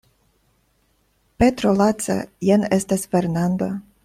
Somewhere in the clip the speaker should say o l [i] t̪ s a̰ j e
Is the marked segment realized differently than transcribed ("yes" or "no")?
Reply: yes